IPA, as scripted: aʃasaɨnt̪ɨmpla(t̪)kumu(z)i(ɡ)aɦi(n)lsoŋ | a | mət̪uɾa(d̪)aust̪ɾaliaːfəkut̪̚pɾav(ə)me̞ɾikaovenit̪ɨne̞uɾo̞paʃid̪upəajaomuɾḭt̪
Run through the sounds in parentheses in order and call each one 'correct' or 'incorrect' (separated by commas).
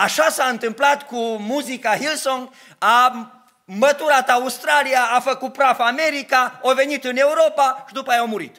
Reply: correct, correct, incorrect, incorrect, incorrect, incorrect